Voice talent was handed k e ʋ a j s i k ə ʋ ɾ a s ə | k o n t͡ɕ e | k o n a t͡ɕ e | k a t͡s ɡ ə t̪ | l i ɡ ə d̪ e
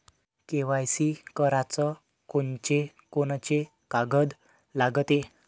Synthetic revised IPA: k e ʋ a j s i k ə ɾ a t͡s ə | k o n t͡ɕ e | k o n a t͡ɕ e | k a ɡ ə d̪ | l a ɡ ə t̪ e